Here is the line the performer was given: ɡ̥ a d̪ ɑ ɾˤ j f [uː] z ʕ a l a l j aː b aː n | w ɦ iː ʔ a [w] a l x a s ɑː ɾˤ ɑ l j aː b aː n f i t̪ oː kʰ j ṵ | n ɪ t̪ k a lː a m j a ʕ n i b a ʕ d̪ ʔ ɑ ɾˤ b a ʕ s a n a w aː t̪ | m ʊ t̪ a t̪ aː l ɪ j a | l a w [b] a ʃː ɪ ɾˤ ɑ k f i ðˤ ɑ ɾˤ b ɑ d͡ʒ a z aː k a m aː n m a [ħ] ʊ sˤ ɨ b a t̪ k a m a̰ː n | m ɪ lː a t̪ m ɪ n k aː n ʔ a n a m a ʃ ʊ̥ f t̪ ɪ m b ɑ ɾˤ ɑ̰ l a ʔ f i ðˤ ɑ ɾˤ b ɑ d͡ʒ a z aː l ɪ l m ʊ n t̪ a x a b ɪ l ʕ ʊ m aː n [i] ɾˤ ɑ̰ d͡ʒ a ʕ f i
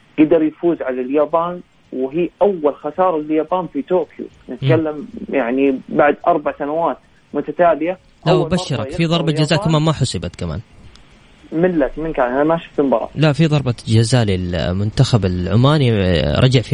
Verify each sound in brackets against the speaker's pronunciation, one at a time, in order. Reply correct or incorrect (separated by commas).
correct, incorrect, correct, correct, correct